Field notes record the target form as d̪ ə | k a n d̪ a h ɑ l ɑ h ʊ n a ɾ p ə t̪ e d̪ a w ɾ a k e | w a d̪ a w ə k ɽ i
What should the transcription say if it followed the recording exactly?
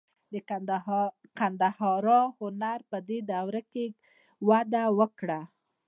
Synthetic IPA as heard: d̪ ə | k a n d̪ a h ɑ ɾ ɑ h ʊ n a ɾ p ə d̪ e d̪ a w ɾ a k e | w a d̪ a w ə k ɽ a

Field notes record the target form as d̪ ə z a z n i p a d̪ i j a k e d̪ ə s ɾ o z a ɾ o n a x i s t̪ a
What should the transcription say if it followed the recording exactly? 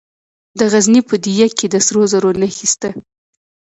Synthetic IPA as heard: d̪ ə ɣ a z n i p ə d̪ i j a k e d̪ ə s ɾ o z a ɾ o n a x i s t̪ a

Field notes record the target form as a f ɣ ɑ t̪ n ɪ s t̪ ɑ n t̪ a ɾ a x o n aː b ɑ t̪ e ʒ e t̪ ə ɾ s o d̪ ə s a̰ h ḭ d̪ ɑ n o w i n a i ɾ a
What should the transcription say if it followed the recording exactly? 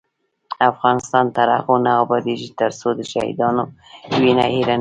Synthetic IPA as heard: a f ɣ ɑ n ɪ s t̪ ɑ n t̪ a ɾ a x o n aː b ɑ d̪ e ʒ i t̪ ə ɾ s o d̪ ə ʃ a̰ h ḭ d̪ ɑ n o w i n a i ɾ a

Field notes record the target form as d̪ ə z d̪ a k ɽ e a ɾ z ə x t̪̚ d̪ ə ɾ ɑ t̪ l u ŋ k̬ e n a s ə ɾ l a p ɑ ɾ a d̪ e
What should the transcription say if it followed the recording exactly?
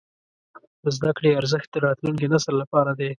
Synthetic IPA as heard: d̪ ə z d̪ a k ɽ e a ɾ z ə x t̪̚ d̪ ə ɾ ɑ t̪ l u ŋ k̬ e n a s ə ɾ l a p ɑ ɾ a d̪ e

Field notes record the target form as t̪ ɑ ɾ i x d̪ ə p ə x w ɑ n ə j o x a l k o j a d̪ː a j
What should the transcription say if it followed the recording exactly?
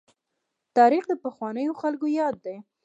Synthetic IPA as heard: t̪ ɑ ɾ i x d̪ ə p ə x w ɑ n ə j o x a l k o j ɑ d̪ː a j

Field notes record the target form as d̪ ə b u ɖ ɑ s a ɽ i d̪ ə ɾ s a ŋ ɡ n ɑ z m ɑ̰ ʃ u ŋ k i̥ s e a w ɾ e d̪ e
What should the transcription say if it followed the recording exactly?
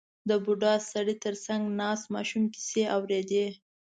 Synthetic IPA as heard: d̪ ə b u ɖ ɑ s a ɽ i t̪ ə ɾ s a ŋ ɡ n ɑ s m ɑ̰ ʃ u m k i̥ s e a w ɾ e d̪ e

